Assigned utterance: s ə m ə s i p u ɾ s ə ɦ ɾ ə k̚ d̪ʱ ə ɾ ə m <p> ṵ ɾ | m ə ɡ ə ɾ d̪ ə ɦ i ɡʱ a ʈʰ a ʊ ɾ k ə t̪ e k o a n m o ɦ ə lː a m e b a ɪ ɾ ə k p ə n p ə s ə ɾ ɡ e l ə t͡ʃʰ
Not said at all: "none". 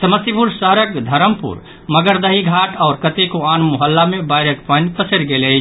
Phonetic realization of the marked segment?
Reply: p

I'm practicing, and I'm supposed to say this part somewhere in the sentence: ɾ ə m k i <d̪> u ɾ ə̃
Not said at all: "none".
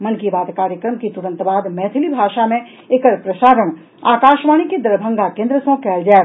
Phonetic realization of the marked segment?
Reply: t̪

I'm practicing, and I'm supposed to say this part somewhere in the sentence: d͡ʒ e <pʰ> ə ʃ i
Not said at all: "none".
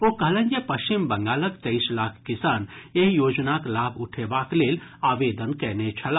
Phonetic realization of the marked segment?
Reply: p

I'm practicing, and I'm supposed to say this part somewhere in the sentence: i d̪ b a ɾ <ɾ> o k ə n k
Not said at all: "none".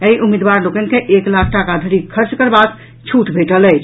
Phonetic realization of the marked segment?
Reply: l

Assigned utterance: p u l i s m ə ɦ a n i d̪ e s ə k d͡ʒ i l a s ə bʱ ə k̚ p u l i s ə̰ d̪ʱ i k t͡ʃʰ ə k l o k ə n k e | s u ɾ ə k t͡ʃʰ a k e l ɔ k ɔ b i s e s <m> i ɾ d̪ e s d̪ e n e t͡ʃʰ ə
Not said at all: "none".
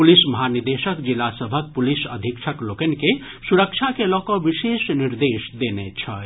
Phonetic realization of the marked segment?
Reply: n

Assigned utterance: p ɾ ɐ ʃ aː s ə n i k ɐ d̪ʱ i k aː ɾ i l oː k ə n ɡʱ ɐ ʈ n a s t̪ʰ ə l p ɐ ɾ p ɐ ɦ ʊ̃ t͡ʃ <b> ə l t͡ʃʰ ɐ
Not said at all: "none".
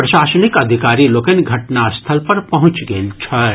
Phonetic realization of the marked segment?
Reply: ɡ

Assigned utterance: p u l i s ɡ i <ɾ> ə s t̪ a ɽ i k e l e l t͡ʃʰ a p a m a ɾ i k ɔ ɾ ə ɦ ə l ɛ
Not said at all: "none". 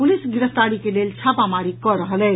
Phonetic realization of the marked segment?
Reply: ɾ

